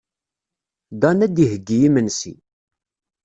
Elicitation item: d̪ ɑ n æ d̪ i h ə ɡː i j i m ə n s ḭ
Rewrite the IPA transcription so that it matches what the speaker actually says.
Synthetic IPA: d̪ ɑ n æ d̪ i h ə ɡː i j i m ə n s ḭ